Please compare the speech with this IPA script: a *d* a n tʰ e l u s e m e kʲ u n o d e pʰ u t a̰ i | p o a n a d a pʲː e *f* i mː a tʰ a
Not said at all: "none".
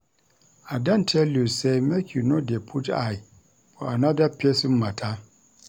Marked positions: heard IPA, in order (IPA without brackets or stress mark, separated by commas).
d, s